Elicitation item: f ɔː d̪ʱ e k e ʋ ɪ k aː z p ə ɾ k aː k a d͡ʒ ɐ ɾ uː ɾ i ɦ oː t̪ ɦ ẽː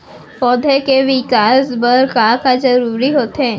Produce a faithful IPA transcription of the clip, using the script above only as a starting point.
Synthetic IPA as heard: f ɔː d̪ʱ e k e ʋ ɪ k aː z b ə ɾ k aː k a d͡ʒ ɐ ɾ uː ɾ i ɦ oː t̪ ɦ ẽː

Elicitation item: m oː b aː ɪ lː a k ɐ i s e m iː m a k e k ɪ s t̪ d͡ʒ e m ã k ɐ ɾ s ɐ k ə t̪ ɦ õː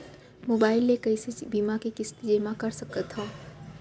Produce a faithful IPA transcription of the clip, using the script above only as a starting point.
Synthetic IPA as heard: m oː b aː ɪ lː e k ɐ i s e b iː m a k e k ɪ s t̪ d͡ʒ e m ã k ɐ ɾ s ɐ k ə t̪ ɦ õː

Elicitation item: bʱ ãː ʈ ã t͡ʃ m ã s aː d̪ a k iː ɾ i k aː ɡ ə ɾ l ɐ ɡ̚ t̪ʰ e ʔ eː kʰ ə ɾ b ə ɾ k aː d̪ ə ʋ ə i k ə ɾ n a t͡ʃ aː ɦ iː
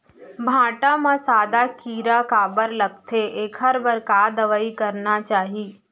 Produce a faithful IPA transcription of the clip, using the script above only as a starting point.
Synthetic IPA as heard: bʱ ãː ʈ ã m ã s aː d̪ a k iː ɾ a k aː b ə ɾ l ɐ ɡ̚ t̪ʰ e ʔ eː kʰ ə ɾ b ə ɾ k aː d̪ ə ʋ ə i k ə ɾ n a t͡ʃ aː ɦ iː

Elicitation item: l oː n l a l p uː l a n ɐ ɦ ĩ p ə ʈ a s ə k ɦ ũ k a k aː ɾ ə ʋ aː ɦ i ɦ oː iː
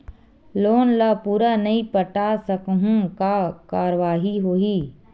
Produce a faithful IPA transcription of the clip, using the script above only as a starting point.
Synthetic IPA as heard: l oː n l a p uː ɾ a n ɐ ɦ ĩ p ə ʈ a s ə k ɦ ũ k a k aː ɾ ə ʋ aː ɦ i ɦ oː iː

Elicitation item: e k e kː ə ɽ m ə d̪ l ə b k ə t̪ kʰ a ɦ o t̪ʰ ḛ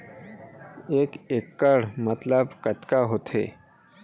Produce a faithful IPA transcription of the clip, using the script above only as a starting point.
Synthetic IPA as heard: e k e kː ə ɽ m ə t̪ l ə b k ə t̪ k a ɦ o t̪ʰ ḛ

